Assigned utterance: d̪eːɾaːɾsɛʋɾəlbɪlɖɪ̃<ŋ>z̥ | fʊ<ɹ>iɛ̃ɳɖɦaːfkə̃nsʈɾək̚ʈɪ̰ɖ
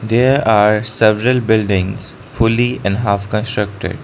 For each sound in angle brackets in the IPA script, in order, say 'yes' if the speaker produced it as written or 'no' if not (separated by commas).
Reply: yes, no